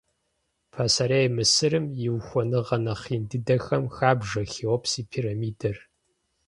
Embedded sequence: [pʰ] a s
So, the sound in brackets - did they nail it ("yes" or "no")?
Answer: yes